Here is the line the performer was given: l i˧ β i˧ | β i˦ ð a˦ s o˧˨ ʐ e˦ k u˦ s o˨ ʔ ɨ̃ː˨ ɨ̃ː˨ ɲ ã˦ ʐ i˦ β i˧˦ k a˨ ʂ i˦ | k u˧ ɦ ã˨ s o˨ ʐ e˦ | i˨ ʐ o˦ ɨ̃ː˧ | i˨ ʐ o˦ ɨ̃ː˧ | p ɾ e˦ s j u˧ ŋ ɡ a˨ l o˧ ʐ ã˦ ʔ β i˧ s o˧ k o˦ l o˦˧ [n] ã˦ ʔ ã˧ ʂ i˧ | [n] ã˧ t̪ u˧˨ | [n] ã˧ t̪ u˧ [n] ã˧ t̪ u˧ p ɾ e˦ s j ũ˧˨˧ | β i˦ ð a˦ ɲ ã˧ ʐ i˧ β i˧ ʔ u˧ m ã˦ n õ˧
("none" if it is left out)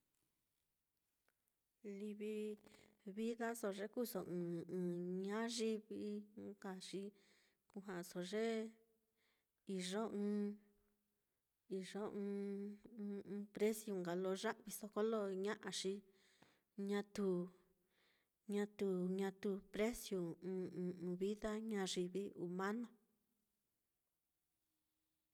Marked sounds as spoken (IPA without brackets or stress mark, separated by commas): ɲ, ɲ, ɲ, ɲ